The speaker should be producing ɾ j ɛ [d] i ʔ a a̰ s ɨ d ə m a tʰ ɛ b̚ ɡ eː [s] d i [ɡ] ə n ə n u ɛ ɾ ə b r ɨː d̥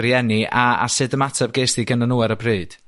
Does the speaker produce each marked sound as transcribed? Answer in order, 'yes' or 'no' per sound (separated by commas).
no, yes, yes